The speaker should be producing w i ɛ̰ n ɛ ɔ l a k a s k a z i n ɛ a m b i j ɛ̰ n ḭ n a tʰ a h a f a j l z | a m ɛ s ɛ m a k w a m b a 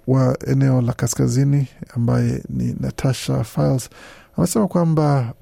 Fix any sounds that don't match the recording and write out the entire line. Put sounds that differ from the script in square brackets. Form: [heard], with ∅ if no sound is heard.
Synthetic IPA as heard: w [a] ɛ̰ n ɛ ɔ l a k a s k a z i n [i] a m b [a] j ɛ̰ n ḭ n a tʰ a [ʃ] a f a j l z | a m ɛ s ɛ m a k w a m b a